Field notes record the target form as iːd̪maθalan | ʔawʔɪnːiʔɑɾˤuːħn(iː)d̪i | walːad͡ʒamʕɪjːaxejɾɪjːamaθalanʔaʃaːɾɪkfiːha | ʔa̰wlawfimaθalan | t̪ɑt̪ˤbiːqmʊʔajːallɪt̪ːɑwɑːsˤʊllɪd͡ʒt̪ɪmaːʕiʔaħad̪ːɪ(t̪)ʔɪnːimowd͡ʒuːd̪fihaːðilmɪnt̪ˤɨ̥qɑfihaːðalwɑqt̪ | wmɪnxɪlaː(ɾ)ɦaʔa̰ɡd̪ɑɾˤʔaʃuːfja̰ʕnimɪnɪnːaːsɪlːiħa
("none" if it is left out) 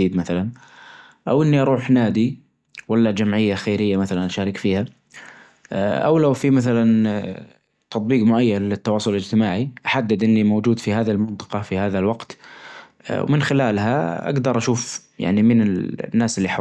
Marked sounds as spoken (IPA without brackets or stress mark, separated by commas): aː, d̪, l